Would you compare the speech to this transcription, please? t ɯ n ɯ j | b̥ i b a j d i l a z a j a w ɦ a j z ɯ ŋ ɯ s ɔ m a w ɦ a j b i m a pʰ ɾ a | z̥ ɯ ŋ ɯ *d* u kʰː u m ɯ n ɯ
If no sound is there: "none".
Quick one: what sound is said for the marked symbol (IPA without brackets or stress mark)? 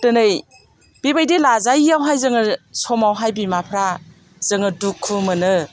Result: d